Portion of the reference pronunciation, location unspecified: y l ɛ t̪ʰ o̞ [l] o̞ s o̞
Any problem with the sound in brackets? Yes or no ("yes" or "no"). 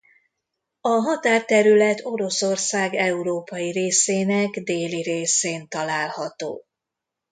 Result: yes